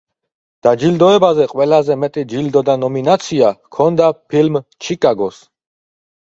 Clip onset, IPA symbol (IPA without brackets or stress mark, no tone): d̪̥